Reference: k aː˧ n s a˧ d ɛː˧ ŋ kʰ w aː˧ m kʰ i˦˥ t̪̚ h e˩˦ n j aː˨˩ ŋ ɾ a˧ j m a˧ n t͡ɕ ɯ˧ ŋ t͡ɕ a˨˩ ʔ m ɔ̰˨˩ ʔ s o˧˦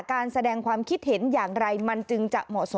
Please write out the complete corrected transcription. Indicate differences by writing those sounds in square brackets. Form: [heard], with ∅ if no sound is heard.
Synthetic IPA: k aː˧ n s a˧ d ɛː˧ ŋ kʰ w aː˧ m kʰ i˦˥ t̪̚ h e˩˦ n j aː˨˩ ŋ ɾ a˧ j m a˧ n t͡ɕ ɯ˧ ŋ t͡ɕ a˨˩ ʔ m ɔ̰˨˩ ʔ s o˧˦